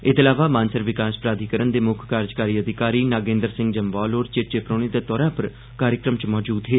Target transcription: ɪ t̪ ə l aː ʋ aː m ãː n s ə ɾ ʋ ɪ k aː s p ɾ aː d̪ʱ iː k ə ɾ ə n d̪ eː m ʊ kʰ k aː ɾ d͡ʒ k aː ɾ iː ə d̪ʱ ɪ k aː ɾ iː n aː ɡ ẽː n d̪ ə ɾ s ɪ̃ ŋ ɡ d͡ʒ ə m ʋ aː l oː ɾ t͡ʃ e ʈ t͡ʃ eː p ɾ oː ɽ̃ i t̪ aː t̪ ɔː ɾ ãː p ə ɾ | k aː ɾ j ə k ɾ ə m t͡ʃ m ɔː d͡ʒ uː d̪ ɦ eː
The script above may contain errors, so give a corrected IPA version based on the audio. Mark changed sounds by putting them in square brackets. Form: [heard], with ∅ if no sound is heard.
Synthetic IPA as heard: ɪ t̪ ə l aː ʋ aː m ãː n s ə ɾ ʋ ɪ k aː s p ɾ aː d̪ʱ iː k ə ɾ ə n d̪ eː m ʊ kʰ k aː ɾ d͡ʒ k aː ɾ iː ə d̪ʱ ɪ k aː ɾ iː n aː ɡ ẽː n d̪ ə ɾ s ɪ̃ ŋ ɡ d͡ʒ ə m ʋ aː l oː ɾ t͡ʃ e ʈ t͡ʃ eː p ɾ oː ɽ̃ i [d̪] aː t̪ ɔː ɾ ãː p ə ɾ | k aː ɾ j ə k ɾ ə m t͡ʃ m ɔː d͡ʒ uː d̪ ɦ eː

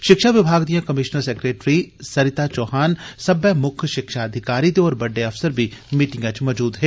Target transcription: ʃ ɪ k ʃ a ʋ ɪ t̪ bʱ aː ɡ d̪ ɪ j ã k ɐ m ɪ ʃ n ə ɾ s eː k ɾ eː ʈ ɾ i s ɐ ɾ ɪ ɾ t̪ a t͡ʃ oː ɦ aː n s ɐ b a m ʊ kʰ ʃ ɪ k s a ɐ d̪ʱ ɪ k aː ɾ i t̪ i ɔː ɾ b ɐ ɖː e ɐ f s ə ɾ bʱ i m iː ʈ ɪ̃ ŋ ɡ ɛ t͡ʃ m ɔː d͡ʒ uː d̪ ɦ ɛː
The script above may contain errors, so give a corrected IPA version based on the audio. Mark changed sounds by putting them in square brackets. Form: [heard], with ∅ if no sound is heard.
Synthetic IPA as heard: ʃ ɪ k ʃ a ʋ ɪ [∅] bʱ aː ɡ d̪ [i] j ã k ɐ m ɪ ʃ n ə ɾ s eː k ɾ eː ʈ ɾ i s ɐ ɾ ɪ [∅] t̪ a t͡ʃ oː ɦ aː n s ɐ b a m ʊ kʰ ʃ ɪ k [ʃ] a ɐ d̪ʱ ɪ k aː ɾ i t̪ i ɔː ɾ b ɐ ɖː e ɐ f s ə ɾ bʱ i m iː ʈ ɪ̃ ŋ ɡ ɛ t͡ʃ m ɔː d͡ʒ uː d̪ ɦ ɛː

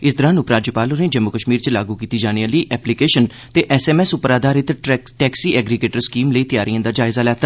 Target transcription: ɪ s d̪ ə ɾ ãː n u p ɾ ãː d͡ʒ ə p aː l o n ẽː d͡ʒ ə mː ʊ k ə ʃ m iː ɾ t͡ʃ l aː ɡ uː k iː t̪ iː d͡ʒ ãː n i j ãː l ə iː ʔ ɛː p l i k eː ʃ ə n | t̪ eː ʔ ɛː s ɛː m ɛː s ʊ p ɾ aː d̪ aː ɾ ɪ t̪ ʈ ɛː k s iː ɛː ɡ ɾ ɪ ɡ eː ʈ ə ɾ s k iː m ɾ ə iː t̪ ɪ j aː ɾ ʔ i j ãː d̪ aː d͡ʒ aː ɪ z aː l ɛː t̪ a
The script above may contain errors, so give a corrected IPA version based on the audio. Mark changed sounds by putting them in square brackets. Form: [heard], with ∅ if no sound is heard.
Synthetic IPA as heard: ɪ s d̪ ə ɾ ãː n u p ɾ [aː] d͡ʒ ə p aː l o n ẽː d͡ʒ ə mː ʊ k ə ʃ m iː ɾ t͡ʃ l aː ɡ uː k iː t̪ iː d͡ʒ [aː] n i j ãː l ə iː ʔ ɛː p l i k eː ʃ ə n | t̪ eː ʔ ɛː s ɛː m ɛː s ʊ p ɾ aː d̪ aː ɾ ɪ t̪ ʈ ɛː k s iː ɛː ɡ ɾ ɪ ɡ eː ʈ ə ɾ s k iː m [l] ə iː t̪ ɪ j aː ɾ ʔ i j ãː d̪ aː d͡ʒ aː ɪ z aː l ɛː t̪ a

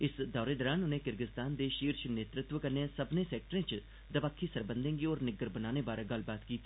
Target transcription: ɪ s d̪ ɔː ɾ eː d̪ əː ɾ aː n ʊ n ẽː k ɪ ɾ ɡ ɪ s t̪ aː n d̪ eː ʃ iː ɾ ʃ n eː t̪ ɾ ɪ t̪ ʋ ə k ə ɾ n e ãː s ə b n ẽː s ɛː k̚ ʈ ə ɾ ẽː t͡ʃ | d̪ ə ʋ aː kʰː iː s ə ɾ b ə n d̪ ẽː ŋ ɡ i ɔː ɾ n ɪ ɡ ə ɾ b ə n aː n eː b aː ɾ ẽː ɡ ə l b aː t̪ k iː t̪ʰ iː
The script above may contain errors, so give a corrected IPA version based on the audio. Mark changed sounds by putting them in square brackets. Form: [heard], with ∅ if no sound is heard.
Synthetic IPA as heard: ɪ s d̪ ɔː ɾ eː d̪ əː ɾ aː n ʊ n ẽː k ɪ ɾ ɡ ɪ s t̪ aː n d̪ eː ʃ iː ɾ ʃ n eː t̪ ɾ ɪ t̪ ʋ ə k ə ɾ n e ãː s ə b n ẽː s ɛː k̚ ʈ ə ɾ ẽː t͡ʃ | d̪ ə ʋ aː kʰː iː s ə ɾ b ə n d̪ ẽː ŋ ɡ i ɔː ɾ n ɪ ɡ ə ɾ b ə n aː n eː b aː ɾ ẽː ɡ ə l b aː t̪ k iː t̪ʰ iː

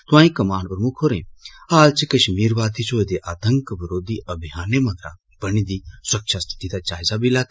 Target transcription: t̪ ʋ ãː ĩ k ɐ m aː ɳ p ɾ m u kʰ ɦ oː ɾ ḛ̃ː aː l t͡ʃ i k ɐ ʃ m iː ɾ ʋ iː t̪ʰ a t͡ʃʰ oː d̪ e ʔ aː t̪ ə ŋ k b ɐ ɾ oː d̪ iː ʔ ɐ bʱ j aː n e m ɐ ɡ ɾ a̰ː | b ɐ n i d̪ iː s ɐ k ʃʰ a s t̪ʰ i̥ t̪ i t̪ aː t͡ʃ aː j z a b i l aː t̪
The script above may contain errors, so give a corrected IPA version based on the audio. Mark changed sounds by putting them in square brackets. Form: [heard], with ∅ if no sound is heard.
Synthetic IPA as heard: t̪ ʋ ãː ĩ k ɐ m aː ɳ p ɾ m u kʰ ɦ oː ɾ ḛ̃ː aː l t͡ʃ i k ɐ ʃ m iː ɾ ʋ [aː] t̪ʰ [i] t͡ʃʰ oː d̪ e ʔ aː t̪ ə ŋ k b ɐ ɾ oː d̪ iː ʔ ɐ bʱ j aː n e m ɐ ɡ ɾ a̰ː | b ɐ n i d̪ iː s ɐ k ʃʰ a s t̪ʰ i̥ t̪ i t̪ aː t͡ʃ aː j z a b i l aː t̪

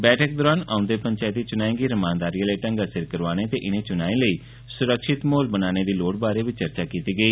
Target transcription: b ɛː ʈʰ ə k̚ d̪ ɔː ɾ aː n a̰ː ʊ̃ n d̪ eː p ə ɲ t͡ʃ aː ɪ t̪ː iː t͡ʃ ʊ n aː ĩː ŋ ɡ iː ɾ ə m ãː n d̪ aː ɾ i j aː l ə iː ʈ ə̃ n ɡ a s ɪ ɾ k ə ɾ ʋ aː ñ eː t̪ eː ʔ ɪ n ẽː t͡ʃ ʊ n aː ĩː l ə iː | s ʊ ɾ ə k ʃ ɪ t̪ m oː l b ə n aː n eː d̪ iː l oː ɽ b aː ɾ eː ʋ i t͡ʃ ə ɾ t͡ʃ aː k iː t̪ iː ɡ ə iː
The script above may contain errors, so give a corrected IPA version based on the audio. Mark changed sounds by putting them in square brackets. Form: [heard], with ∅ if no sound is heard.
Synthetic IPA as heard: b ɛː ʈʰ ə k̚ d̪ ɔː ɾ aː n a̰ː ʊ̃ n d̪ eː p ə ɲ t͡ʃ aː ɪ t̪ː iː t͡ʃ ʊ n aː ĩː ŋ ɡ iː ɾ ə m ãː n d̪ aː ɾ i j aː l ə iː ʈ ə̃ [ŋ] ɡ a s ɪ ɾ k ə ɾ ʋ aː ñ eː t̪ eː ʔ ɪ n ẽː t͡ʃ ʊ n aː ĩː l ə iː | s ʊ ɾ ə k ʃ ɪ t̪ m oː l b ə n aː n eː d̪ iː l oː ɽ b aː ɾ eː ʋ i t͡ʃ ə ɾ t͡ʃ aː k iː t̪ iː ɡ ə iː

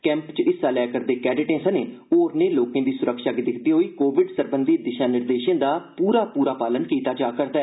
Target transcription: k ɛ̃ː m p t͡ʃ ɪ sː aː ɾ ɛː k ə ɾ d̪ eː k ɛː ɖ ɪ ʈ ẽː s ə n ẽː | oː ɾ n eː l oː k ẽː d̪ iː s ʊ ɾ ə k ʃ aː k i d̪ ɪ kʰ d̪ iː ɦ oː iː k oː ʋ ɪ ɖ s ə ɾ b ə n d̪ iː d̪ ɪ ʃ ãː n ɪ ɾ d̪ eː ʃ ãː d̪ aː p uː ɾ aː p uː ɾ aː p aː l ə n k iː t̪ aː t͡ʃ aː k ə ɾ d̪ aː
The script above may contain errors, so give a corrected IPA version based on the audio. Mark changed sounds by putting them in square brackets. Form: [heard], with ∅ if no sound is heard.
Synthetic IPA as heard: k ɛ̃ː m p t͡ʃ ɪ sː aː [l] ɛː k ə ɾ d̪ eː k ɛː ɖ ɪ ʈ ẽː s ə n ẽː | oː ɾ n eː l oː k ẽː d̪ iː s ʊ ɾ ə k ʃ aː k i d̪ ɪ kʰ d̪ iː ɦ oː iː k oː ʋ ɪ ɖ s ə ɾ b ə n d̪ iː d̪ ɪ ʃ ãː n ɪ ɾ d̪ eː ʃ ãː d̪ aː p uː ɾ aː p uː ɾ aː p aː l ə n k iː t̪ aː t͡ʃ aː k ə ɾ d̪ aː

